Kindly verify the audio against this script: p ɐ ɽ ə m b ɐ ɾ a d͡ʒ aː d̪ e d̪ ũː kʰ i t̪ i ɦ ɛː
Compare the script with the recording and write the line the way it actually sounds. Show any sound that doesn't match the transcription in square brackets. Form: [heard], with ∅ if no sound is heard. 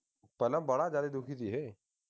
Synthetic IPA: p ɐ [l] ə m b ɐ [ɽ] a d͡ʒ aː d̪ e d̪ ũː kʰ i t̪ i ɦ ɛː